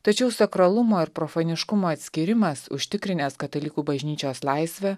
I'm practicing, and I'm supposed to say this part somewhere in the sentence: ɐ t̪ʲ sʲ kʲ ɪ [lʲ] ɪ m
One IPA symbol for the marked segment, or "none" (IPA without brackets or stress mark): ɾʲ